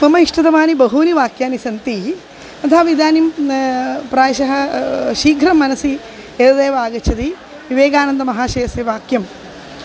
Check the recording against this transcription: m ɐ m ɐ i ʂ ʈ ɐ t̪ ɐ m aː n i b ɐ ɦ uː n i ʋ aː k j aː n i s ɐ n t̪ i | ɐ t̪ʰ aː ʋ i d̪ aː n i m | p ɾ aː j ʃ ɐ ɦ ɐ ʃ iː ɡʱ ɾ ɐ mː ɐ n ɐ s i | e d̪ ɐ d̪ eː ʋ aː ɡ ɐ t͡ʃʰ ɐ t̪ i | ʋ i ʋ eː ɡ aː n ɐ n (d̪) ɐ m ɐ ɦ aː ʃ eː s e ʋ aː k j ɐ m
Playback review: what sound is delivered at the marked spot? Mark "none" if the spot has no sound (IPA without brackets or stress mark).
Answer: d̪